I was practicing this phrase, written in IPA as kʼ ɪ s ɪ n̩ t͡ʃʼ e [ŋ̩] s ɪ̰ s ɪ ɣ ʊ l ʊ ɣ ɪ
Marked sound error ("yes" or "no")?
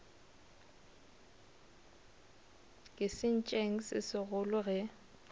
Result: no